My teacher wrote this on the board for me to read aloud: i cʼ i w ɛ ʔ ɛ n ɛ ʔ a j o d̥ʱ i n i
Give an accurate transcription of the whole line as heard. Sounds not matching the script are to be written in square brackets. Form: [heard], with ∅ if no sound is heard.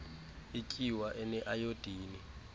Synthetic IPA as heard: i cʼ i w [a] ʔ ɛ n ɛ ʔ a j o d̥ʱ [iː] n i